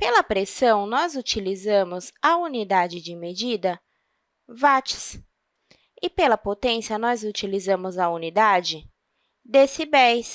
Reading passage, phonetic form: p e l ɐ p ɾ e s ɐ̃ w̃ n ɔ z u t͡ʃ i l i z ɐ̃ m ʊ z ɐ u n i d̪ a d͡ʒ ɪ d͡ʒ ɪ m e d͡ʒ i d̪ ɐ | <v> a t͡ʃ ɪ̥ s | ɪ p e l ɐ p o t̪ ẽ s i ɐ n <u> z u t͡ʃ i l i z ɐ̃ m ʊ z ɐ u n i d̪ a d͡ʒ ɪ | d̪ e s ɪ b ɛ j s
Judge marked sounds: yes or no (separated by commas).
yes, no